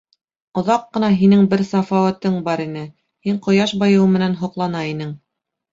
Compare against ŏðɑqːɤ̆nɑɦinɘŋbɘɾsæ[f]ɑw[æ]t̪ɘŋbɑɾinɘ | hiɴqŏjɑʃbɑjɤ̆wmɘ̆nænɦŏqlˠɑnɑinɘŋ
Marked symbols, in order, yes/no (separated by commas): yes, yes